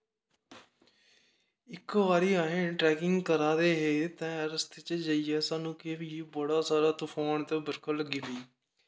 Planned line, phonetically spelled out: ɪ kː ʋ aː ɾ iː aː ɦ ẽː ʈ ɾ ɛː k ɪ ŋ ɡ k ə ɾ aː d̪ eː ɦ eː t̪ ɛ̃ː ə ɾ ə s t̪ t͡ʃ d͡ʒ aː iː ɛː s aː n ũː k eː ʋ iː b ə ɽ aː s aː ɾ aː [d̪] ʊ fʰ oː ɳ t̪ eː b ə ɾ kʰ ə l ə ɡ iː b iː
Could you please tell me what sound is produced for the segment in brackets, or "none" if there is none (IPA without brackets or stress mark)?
t̪